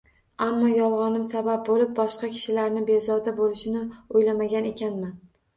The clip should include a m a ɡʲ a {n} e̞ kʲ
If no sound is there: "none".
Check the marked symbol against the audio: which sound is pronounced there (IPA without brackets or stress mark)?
n